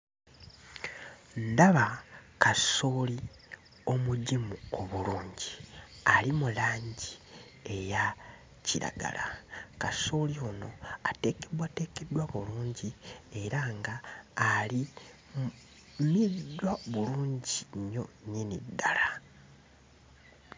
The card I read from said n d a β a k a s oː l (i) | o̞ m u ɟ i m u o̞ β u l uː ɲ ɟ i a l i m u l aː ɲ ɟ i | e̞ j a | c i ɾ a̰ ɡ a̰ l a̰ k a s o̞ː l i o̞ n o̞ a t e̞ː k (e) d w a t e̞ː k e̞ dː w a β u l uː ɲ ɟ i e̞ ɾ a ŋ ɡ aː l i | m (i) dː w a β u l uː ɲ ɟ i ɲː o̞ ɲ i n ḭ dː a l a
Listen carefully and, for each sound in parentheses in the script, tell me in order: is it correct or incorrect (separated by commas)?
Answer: correct, correct, correct